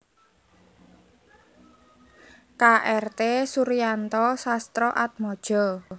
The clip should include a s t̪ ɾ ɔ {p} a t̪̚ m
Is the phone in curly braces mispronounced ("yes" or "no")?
yes